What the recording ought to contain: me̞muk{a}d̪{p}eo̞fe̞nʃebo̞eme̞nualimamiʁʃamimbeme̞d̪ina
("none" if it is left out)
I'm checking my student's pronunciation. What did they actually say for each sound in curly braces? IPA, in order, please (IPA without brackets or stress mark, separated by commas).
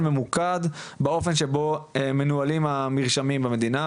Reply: a, b